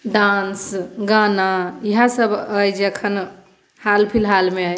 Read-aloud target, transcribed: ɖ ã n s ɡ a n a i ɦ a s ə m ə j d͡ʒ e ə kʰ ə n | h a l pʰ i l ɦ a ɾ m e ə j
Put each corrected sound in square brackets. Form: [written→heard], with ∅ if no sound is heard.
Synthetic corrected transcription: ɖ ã n s ɡ a n a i ɦ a s ə [m→b] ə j d͡ʒ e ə kʰ ə n | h a l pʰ i l ɦ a [ɾ→l] m e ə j